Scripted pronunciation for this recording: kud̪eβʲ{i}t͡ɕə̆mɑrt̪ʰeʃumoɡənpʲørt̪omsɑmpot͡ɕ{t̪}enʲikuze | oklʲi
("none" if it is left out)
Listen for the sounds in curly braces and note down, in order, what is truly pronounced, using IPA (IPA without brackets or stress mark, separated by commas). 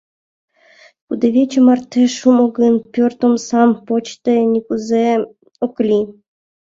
e, t̪